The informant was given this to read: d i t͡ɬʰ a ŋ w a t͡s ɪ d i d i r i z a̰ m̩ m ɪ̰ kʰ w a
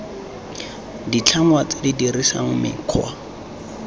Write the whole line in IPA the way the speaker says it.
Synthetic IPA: d i t͡ɬʰ a ŋ w a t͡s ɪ d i d i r i s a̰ ŋ̩ m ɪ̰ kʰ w a